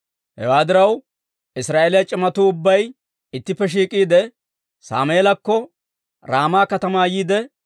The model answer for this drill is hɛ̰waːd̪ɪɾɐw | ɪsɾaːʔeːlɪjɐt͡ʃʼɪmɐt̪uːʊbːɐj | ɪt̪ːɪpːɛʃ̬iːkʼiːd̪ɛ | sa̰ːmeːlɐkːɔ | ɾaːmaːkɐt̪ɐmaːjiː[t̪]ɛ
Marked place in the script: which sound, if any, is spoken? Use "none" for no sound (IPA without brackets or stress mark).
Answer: d̪